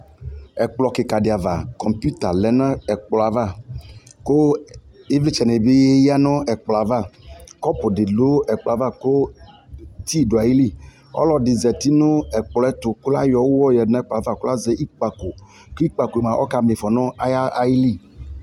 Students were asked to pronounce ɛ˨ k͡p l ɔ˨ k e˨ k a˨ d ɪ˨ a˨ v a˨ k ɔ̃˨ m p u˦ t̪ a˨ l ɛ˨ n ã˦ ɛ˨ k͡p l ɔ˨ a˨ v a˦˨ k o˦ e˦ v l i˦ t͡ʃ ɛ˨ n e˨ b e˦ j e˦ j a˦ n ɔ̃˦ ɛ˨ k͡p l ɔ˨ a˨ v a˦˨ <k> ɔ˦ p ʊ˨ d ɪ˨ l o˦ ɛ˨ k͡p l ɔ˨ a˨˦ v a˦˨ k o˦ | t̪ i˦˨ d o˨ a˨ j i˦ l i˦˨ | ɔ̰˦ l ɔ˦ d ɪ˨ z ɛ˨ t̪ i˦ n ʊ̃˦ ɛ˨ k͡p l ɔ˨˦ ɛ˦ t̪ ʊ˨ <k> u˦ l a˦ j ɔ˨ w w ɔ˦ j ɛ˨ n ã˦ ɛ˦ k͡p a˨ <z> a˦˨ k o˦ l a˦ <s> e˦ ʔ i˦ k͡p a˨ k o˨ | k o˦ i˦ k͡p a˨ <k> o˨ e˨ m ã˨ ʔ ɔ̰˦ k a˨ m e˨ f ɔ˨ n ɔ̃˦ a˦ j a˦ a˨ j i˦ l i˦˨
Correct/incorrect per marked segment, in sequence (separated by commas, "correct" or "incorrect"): correct, correct, incorrect, incorrect, correct